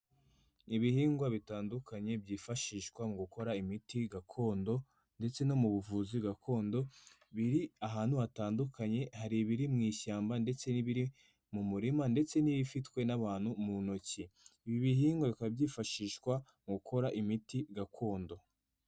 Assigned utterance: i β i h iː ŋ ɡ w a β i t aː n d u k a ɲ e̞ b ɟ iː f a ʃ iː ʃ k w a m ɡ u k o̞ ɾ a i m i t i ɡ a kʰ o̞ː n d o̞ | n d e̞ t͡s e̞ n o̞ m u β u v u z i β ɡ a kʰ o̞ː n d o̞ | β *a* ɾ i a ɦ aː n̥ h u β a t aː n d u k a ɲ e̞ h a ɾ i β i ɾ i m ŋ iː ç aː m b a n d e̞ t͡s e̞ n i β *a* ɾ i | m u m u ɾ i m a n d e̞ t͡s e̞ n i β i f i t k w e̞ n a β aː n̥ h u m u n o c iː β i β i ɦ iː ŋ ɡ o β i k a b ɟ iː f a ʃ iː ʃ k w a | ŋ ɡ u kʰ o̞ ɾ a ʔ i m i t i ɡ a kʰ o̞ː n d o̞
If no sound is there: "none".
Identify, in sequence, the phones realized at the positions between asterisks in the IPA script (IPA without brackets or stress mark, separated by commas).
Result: i, i